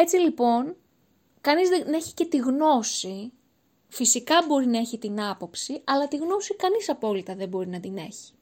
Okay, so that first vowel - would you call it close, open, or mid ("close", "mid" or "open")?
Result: mid